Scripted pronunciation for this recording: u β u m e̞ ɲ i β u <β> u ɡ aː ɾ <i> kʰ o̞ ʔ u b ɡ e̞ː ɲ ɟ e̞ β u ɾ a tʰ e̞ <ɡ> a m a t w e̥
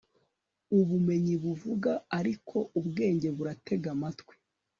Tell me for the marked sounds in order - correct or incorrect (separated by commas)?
incorrect, correct, correct